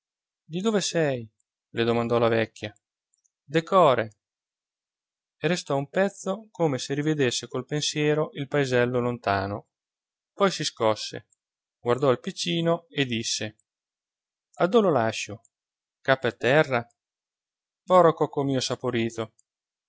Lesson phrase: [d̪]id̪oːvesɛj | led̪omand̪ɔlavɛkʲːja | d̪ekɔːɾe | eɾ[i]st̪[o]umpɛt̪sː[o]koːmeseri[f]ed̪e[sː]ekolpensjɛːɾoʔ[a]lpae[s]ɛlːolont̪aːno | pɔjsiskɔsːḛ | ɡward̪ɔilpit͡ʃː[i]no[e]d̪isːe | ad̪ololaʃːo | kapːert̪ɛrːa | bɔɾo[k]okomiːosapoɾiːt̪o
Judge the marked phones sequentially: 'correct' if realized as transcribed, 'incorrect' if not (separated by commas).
correct, incorrect, incorrect, correct, incorrect, correct, incorrect, incorrect, incorrect, correct, correct